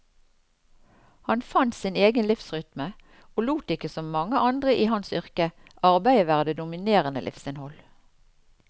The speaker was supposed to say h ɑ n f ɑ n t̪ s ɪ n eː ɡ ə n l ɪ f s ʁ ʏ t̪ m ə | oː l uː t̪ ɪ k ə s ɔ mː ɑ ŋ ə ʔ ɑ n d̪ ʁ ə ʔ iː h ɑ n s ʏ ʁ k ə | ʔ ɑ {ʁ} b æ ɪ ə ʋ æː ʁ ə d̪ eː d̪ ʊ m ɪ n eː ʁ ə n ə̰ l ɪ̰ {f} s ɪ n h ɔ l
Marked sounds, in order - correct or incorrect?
correct, correct

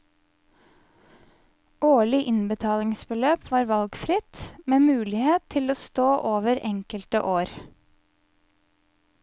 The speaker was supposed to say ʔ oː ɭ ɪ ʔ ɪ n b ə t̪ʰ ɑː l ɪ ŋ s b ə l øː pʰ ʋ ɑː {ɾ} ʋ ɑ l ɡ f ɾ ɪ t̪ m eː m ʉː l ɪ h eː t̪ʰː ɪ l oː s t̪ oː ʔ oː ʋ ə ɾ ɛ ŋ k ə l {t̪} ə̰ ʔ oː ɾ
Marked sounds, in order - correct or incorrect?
correct, correct

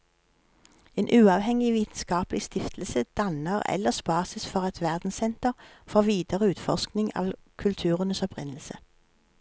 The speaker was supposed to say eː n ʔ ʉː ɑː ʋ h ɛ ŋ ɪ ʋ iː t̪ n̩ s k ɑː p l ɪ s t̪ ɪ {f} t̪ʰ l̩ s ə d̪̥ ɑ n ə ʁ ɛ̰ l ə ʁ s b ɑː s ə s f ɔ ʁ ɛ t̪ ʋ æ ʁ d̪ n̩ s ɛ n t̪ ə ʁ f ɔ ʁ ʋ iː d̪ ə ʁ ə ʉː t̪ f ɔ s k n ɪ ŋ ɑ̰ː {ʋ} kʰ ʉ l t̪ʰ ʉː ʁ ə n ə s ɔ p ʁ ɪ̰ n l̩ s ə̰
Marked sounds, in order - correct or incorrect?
correct, correct

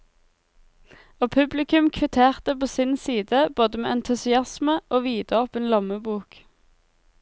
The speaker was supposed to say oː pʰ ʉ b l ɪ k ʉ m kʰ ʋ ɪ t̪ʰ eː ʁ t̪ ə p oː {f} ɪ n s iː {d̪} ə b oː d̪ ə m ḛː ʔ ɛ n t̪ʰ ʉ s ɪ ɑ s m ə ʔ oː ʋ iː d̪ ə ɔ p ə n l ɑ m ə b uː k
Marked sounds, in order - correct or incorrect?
incorrect: s, correct

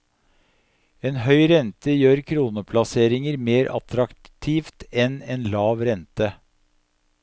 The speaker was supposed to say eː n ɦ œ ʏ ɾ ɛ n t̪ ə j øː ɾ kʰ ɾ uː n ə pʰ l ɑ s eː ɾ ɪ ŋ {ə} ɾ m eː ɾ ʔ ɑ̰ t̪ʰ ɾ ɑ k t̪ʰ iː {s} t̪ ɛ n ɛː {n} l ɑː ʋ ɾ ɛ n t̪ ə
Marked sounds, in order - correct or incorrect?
correct, incorrect: f, correct

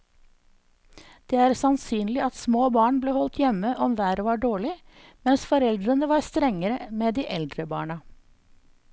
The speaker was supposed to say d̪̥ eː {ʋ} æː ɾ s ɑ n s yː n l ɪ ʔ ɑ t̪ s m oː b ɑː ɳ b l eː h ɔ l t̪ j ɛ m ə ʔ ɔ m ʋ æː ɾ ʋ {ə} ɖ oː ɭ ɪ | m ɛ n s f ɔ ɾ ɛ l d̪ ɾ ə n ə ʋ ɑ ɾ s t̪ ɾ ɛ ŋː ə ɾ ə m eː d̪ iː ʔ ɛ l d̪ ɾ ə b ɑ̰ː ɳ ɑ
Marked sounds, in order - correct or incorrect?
incorrect: none, incorrect: ɑ

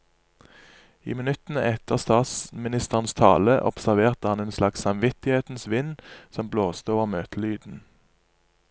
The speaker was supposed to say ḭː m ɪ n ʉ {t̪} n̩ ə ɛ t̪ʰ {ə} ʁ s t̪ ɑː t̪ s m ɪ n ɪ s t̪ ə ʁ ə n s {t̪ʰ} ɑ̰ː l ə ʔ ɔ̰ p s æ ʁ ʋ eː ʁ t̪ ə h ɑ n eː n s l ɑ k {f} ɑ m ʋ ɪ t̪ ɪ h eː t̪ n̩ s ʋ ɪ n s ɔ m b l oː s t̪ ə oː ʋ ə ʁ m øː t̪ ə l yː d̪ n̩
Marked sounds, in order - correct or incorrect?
correct, correct, correct, incorrect: s

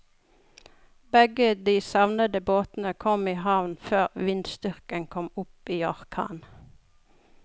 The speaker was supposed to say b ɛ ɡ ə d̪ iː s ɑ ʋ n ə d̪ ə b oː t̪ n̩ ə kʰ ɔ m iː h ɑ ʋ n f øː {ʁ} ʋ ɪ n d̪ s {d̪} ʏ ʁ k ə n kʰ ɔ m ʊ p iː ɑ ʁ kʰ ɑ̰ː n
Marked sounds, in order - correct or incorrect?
correct, incorrect: t̪

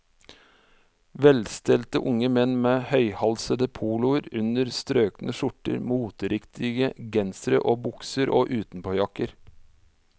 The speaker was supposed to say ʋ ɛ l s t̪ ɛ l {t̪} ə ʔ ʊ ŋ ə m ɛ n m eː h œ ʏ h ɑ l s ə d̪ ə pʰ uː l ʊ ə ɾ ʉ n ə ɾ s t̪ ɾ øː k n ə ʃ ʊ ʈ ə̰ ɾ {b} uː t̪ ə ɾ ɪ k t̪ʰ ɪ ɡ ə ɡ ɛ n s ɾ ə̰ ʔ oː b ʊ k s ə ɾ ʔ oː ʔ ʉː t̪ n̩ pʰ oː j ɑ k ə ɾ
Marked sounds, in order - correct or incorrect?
correct, incorrect: m

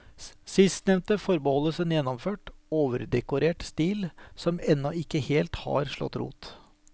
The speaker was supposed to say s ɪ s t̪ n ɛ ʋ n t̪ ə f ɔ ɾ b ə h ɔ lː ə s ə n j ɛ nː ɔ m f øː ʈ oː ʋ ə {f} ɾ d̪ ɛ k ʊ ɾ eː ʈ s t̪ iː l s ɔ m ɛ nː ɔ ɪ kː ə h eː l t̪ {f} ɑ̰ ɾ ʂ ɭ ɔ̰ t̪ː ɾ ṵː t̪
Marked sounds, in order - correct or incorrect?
incorrect: none, incorrect: h

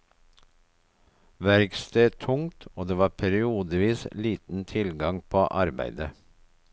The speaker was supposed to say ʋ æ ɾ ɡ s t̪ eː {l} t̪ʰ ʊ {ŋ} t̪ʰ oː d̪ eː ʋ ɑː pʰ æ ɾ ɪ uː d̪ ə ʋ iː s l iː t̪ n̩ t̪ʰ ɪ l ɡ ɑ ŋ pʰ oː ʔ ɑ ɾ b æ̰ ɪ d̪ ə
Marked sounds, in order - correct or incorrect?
incorrect: none, correct

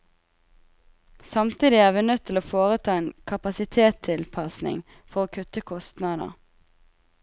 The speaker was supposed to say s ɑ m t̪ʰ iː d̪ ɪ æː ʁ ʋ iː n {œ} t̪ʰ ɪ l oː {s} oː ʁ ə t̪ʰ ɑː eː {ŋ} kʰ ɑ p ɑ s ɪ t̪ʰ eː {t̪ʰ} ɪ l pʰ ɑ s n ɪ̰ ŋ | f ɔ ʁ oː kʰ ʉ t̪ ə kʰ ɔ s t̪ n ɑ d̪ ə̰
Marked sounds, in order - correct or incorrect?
correct, incorrect: f, incorrect: n, correct

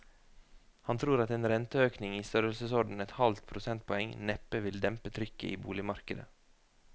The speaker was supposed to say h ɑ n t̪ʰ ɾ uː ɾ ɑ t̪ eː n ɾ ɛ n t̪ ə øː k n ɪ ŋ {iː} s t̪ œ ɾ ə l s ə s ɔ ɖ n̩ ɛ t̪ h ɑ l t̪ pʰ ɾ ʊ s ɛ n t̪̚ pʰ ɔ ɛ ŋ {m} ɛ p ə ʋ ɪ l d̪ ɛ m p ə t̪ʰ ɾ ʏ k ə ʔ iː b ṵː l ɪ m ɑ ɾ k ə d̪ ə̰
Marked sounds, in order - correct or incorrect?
correct, incorrect: n

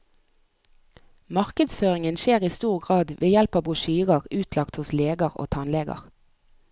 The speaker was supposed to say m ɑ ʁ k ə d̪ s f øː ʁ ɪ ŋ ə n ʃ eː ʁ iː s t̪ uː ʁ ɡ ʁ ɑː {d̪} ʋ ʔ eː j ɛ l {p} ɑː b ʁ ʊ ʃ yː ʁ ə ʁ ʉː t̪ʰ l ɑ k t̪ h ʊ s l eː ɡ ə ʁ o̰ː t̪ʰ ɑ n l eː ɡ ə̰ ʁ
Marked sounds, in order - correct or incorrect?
correct, correct

